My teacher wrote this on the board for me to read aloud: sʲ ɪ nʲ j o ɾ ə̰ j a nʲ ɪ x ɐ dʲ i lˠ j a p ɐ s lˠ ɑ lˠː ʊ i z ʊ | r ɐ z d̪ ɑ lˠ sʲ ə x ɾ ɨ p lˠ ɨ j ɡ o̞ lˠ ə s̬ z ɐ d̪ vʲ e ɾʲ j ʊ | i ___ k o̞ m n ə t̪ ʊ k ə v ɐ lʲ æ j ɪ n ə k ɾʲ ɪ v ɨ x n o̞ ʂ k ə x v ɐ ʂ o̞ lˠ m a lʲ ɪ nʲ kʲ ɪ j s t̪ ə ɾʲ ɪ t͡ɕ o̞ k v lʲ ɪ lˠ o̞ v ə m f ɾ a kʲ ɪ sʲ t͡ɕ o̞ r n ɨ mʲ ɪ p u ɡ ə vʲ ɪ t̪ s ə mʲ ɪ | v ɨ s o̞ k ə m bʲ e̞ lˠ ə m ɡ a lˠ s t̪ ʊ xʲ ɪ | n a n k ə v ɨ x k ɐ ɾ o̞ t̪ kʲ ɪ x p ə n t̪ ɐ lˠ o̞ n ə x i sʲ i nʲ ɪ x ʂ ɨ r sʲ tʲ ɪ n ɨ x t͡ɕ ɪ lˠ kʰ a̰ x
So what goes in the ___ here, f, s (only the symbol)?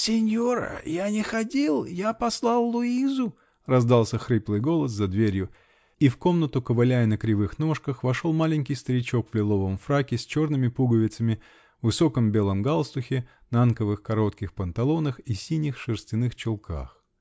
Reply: f